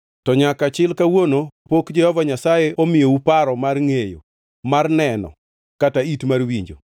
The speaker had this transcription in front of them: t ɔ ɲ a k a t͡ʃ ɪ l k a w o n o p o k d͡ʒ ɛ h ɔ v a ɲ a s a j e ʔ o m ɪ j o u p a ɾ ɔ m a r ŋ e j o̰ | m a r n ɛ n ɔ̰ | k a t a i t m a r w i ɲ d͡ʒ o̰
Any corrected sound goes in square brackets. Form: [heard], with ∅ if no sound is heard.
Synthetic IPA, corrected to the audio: t ɔ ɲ a k a t͡ʃ ɪ l k a w o n o p o k d͡ʒ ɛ h ɔ v a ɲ a s a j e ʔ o m ɪ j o u p a ɾ ɔ m a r ŋ e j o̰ | m a r n ɛ n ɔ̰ | k a t a i t m a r w i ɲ d͡ʒ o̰